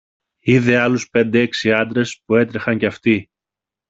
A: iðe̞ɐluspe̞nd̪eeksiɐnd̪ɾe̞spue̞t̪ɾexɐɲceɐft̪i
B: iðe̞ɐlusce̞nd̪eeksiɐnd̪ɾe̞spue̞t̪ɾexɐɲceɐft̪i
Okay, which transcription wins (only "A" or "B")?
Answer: A